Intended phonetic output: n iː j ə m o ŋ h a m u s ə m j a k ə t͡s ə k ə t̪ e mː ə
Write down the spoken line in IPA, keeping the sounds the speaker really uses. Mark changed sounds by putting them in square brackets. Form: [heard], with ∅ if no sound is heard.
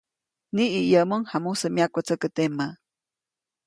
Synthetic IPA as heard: n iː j ə m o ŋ h a m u s ə m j a k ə t͡s ə k ə t̪ e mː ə